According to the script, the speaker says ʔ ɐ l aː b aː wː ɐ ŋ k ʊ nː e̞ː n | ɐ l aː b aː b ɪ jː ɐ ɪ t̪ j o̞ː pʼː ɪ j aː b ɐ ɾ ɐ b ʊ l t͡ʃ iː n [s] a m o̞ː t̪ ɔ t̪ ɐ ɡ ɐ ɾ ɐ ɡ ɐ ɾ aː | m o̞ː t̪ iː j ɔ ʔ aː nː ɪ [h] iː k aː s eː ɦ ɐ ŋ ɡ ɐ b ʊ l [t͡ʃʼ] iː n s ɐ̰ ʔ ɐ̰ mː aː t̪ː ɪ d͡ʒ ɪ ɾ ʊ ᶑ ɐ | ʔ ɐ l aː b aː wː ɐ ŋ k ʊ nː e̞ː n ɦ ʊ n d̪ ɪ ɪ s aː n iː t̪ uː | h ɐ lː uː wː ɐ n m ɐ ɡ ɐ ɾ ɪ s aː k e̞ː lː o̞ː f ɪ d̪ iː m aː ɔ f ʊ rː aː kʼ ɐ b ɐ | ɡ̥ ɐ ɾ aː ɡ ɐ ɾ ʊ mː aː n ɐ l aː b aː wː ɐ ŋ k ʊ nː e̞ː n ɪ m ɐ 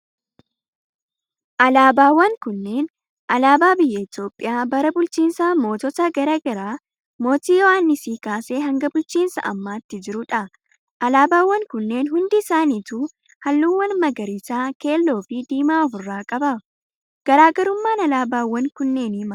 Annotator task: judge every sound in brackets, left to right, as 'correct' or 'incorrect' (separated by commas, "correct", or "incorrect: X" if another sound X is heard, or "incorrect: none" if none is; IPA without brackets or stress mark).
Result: correct, incorrect: s, incorrect: t͡ʃ